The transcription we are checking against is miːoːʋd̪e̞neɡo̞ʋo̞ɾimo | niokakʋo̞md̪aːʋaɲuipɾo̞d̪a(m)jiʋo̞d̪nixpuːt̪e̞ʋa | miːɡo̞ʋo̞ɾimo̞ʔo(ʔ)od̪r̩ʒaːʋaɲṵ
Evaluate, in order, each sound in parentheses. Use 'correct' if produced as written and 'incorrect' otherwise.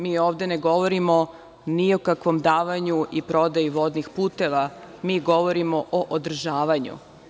incorrect: none, correct

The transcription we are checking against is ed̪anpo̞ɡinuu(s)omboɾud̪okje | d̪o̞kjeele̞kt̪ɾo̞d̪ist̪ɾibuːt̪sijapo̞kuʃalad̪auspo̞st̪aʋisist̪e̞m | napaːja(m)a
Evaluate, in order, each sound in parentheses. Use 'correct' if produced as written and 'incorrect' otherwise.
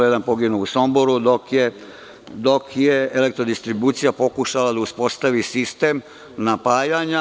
correct, incorrect: ɲ

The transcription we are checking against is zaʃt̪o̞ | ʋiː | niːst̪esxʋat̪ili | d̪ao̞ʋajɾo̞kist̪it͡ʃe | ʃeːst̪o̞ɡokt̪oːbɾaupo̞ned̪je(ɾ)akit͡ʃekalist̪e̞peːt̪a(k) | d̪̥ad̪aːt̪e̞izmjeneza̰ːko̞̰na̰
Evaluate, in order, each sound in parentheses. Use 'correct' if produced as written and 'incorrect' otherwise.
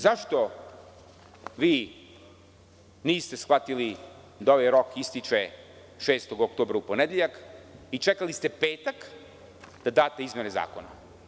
incorrect: ʎ, correct

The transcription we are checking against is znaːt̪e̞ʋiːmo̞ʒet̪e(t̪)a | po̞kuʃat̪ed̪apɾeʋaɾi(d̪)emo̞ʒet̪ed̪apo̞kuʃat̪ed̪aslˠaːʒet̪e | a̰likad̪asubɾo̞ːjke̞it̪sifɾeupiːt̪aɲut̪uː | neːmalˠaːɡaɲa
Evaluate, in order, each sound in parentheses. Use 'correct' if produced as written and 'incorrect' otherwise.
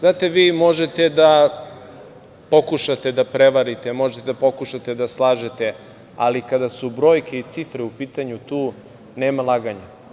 incorrect: d̪, incorrect: t̪

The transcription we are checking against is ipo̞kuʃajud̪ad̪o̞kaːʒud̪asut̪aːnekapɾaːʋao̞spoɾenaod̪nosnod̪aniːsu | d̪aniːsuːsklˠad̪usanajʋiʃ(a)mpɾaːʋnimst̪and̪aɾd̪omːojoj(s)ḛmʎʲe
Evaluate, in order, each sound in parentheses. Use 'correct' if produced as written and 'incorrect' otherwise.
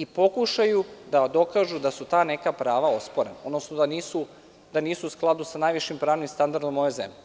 incorrect: i, incorrect: z

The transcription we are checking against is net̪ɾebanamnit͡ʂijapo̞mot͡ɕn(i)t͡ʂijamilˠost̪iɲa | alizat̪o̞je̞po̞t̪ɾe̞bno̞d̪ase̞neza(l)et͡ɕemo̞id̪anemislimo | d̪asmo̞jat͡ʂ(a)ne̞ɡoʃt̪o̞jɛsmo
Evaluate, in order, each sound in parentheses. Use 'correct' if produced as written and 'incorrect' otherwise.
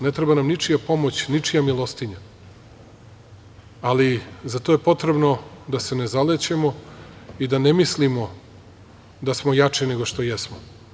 correct, correct, incorrect: i

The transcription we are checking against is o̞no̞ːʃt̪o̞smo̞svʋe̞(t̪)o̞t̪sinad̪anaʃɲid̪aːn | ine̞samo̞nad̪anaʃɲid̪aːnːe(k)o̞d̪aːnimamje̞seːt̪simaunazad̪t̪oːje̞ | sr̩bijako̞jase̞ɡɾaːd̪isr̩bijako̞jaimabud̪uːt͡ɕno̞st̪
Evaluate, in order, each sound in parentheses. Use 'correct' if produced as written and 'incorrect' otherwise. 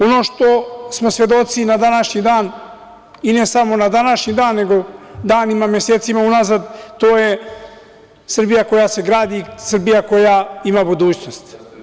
incorrect: d̪, incorrect: ɡ

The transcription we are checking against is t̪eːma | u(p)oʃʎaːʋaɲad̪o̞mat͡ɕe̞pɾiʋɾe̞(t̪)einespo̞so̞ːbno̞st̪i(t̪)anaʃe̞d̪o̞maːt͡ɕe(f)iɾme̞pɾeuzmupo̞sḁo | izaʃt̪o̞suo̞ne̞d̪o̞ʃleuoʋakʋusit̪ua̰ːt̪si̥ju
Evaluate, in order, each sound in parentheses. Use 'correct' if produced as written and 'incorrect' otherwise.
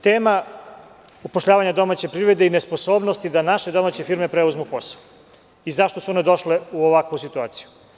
correct, incorrect: d̪, incorrect: d̪, correct

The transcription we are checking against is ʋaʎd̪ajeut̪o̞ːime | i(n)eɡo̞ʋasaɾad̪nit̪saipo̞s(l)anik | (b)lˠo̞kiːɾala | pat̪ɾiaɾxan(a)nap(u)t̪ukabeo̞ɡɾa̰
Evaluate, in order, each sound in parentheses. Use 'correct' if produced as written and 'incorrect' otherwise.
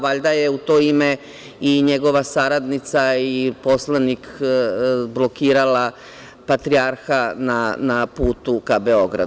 incorrect: ɲ, correct, correct, correct, incorrect: uː

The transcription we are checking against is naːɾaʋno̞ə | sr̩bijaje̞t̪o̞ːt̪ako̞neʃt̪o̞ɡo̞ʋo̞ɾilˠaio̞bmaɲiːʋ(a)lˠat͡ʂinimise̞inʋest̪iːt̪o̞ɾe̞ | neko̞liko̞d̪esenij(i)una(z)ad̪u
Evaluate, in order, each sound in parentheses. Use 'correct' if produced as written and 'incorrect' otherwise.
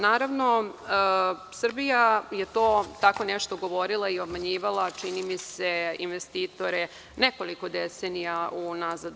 correct, incorrect: a, correct

